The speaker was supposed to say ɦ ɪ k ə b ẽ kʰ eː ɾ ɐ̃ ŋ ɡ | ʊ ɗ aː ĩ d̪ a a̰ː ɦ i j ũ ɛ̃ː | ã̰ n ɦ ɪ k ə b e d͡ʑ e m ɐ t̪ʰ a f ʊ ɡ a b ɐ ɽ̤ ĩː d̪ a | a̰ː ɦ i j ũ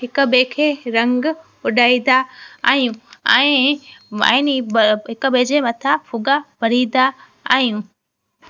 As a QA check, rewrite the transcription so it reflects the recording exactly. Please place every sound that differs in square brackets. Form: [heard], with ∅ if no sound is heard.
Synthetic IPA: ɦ ɪ k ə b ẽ kʰ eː ɾ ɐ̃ ŋ ɡ | ʊ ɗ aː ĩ d̪ a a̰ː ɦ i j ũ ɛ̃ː | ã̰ n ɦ ɪ k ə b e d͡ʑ e m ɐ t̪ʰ a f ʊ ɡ a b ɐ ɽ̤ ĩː d̪ a | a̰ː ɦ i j ũ